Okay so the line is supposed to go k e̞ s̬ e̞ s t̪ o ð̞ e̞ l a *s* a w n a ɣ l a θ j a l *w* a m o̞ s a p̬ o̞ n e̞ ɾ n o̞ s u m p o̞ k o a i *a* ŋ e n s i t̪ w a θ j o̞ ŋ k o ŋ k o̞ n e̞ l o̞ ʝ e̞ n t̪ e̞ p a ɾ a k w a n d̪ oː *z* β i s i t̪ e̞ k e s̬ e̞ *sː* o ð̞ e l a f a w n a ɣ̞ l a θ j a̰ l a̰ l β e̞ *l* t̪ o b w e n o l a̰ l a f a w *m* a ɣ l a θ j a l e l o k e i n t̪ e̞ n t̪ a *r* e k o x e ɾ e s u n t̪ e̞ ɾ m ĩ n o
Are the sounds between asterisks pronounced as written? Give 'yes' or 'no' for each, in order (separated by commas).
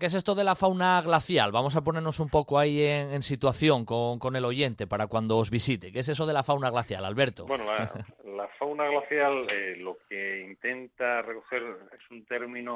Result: no, no, no, yes, no, no, no, yes